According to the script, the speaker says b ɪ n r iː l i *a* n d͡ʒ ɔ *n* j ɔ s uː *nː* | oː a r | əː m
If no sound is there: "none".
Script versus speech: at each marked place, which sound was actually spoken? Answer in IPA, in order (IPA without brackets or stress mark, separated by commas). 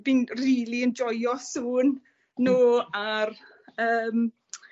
ə, none, nː